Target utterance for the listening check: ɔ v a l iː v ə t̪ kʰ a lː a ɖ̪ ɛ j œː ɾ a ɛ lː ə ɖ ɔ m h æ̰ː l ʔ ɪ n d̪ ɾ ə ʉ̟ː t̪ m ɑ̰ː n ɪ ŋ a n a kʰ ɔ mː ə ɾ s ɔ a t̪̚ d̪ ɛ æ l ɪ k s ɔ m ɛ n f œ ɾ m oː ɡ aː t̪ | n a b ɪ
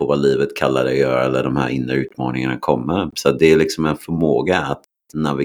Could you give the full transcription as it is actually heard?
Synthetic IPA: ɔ v a l iː v ə t̪ kʰ a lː a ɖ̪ ɛ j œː ɾ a ɛ lː ə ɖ ɔ m h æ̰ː ɾ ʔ ɪ n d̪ ɾ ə ʉ̟ː t̪ m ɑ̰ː n ɪ ŋ a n a kʰ ɔ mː ə ɾ s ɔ a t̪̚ d̪ ɛ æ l ɪ k s ɔ m ɛ n f œ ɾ m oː ɡ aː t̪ | n a v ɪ